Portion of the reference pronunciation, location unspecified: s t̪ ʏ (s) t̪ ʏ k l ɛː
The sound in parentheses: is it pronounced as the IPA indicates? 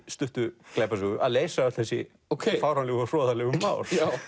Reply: no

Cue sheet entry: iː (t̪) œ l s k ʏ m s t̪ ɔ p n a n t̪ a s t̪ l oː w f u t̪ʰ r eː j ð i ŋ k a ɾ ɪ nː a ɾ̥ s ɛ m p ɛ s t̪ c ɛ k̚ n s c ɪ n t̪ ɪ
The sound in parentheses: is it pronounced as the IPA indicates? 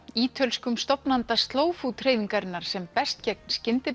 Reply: no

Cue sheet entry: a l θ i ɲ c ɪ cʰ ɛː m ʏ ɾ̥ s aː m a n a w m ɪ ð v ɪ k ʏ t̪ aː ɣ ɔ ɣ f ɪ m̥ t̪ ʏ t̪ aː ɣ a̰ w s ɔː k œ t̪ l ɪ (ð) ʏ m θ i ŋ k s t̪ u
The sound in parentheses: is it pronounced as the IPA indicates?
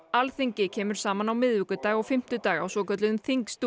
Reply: yes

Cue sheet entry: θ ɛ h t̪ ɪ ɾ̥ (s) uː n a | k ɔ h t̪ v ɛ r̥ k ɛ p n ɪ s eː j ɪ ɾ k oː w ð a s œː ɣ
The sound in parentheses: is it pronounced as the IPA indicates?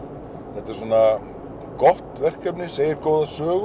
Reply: yes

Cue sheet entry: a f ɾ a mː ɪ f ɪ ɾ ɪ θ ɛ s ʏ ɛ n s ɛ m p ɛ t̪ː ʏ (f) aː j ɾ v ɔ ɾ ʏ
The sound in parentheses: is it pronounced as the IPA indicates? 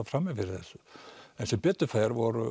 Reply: yes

